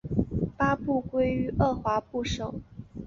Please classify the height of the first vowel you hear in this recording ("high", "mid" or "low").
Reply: low